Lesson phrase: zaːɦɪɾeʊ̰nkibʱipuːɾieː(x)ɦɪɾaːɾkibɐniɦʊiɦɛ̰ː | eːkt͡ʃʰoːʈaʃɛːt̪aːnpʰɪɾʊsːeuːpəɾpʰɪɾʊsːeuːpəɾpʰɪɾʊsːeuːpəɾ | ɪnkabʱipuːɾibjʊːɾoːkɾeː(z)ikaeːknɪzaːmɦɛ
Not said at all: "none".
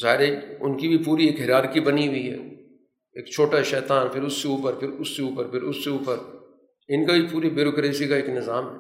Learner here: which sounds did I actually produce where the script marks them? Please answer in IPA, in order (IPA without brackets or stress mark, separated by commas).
k, s